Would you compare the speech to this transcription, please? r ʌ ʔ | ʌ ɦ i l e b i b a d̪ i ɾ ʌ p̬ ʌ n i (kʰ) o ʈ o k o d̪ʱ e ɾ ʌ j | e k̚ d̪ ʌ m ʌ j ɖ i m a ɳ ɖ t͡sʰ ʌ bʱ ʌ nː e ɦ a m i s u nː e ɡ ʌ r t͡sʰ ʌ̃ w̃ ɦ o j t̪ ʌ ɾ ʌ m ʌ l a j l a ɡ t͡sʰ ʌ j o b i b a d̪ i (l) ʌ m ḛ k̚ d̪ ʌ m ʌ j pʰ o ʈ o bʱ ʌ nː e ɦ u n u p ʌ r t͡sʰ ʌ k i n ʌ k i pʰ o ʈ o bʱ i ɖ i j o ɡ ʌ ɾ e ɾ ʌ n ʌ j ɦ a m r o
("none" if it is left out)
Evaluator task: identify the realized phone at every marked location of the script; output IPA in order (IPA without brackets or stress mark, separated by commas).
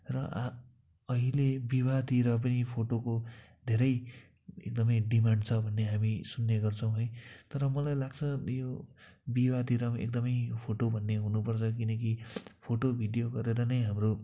pʰ, ɾ